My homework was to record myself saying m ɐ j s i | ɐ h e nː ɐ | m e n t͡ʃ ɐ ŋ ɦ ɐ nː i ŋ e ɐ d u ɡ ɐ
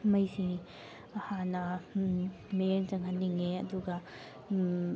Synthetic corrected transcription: m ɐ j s i | ɐ h a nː ɐ | m e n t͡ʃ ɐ ŋ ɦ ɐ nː i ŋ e ɐ d u ɡ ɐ